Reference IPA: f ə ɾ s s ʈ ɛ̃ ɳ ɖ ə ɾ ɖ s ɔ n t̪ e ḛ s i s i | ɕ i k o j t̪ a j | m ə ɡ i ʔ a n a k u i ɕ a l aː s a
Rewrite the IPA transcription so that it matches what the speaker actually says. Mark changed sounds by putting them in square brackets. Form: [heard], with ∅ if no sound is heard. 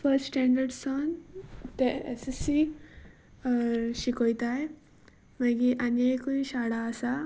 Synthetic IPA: f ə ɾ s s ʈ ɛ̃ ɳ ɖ ə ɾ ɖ s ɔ n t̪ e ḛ s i s i | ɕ i k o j t̪ a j | m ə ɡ i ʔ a n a k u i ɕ a [ɽ] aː s a